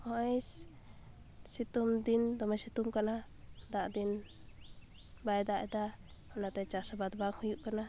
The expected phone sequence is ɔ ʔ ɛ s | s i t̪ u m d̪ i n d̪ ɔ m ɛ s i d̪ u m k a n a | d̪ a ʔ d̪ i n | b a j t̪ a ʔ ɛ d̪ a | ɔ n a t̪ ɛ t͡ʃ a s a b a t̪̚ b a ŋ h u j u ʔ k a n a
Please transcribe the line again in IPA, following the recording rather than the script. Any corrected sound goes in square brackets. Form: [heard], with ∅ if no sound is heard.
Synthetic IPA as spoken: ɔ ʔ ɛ s | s i t̪ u m d̪ i n d̪ ɔ m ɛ s i [t̪] u m k a n a | d̪ a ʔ d̪ i n | b a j [d̪] a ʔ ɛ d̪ a | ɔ n a t̪ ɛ t͡ʃ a s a b a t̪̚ b a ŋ h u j u ʔ k a n a